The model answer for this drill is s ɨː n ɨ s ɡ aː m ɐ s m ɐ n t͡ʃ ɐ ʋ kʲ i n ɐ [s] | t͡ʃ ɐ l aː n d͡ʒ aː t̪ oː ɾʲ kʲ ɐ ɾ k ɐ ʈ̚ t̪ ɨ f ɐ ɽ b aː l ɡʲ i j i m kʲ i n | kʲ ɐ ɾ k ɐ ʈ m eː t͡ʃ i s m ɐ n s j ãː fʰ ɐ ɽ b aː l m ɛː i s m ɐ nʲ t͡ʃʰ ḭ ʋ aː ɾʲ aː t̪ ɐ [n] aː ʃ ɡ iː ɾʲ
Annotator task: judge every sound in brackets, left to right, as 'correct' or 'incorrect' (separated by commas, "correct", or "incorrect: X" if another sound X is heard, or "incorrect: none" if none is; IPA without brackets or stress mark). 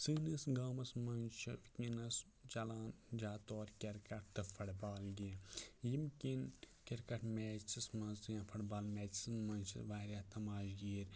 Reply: correct, incorrect: m